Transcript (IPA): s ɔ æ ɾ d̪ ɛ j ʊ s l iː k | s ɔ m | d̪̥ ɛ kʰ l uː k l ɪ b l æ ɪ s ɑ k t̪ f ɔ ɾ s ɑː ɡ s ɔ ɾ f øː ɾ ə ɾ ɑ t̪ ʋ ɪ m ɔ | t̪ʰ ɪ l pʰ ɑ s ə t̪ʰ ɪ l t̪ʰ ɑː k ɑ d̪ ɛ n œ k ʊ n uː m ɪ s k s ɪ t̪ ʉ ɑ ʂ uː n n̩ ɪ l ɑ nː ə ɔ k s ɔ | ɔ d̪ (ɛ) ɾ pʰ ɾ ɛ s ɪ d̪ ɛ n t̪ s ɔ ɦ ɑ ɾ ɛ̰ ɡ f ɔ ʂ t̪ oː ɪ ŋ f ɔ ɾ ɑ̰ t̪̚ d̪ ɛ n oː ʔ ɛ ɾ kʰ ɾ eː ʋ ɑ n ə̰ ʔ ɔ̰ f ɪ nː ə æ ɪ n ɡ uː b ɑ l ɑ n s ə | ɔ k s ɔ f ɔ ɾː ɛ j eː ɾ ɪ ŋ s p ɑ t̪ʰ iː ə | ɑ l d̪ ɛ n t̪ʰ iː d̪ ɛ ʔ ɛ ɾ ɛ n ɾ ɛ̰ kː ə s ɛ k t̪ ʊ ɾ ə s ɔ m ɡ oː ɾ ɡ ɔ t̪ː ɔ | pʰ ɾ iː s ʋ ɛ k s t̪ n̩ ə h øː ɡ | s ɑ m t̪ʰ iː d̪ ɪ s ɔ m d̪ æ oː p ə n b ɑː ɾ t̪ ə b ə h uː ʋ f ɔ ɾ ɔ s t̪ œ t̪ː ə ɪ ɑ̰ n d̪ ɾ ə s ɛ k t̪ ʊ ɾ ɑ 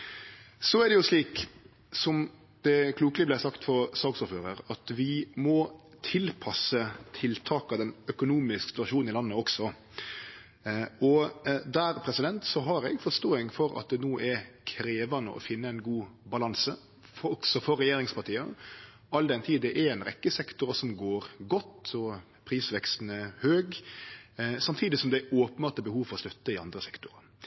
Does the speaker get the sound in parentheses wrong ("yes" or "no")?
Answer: yes